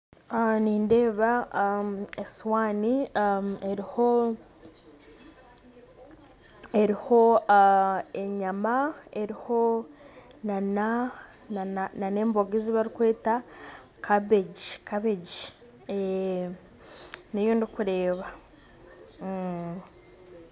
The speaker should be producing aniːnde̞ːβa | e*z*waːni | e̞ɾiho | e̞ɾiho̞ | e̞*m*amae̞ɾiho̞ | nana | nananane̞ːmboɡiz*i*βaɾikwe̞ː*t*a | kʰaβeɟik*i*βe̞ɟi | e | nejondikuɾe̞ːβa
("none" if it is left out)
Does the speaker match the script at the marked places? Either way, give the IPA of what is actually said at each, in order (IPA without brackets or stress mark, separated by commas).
s, ɲ, i, t, a